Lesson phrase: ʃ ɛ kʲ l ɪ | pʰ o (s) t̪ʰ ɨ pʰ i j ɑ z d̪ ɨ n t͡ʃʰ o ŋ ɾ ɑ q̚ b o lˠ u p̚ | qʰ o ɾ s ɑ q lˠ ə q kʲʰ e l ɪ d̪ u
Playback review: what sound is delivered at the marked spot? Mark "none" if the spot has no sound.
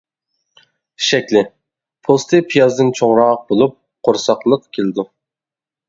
s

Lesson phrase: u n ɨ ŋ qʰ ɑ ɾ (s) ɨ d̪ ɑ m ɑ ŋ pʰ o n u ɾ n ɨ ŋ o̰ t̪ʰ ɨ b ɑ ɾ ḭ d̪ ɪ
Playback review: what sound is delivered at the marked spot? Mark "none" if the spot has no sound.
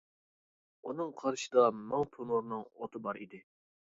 ʃ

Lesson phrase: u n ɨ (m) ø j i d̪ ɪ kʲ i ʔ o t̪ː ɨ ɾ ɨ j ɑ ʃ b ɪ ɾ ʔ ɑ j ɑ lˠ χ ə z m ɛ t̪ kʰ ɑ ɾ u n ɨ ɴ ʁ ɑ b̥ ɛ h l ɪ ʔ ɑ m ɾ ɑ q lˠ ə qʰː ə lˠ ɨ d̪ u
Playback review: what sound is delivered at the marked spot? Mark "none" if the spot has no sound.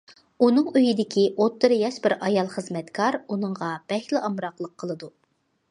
ŋ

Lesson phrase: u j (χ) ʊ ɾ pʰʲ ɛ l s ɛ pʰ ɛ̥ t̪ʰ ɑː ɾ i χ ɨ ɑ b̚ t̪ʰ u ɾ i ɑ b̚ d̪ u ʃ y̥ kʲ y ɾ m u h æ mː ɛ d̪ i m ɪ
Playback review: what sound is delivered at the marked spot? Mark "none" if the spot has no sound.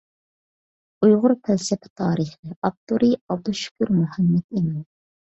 ʁ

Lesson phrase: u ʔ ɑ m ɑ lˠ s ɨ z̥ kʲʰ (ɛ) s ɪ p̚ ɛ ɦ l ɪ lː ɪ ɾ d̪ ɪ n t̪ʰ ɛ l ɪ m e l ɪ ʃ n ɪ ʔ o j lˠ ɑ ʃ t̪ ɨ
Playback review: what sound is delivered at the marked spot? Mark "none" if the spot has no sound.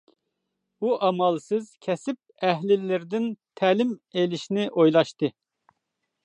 ɛ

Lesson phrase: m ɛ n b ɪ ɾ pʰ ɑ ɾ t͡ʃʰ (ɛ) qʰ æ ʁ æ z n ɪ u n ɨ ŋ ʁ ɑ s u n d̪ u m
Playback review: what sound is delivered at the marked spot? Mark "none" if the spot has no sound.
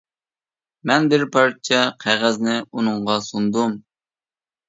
ɛ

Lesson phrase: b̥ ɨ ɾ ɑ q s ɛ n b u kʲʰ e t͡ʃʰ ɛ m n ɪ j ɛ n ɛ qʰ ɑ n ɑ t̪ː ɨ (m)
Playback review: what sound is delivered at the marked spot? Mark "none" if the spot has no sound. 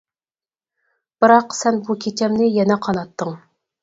ŋ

